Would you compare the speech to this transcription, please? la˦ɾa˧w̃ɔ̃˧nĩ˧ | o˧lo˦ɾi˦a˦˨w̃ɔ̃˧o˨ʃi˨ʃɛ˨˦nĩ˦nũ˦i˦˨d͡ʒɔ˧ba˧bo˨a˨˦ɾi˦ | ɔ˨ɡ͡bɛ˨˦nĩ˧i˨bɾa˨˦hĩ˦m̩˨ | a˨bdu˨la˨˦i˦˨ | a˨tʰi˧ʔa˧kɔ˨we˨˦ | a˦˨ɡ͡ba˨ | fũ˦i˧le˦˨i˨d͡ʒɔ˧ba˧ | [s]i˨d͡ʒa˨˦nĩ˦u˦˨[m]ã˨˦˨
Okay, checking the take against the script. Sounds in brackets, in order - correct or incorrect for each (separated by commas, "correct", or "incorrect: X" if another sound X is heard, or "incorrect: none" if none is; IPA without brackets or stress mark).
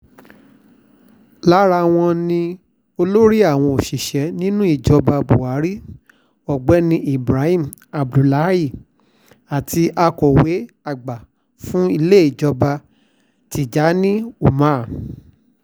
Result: incorrect: t, correct